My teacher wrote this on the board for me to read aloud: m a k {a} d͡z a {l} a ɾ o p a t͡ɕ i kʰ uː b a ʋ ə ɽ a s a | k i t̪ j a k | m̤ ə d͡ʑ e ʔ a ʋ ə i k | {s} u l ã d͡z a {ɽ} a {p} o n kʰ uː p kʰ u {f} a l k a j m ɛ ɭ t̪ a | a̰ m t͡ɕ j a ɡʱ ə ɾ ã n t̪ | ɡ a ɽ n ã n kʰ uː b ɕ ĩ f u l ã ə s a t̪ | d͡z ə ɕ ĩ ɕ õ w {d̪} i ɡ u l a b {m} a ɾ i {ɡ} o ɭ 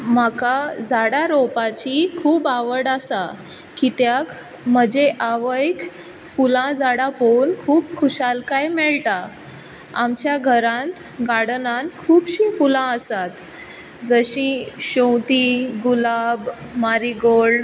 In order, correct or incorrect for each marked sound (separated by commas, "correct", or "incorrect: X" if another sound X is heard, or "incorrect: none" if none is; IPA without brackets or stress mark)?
correct, incorrect: ɽ, incorrect: f, correct, correct, incorrect: ɕ, incorrect: t̪, correct, correct